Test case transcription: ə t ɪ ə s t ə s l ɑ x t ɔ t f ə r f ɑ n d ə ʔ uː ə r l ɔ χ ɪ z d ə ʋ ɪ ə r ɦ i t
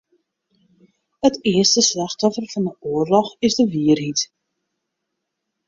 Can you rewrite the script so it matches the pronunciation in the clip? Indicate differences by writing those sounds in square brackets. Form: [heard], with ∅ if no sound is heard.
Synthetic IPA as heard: ə t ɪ ə s t ə s l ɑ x t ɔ [∅] f ə r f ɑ n d ə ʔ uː ə r l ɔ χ ɪ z d ə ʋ [i] ə r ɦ i t